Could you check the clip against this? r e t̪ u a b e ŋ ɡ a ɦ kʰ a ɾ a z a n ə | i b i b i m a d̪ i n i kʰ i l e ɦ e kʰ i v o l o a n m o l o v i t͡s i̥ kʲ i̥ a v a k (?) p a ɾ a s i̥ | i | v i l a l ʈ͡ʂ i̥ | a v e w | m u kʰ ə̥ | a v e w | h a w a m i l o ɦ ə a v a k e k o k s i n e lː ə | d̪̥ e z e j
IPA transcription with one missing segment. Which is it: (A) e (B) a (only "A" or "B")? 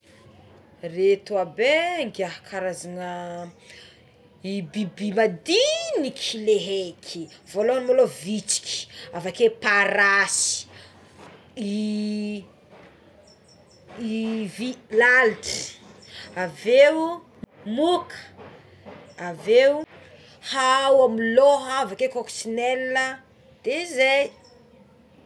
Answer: A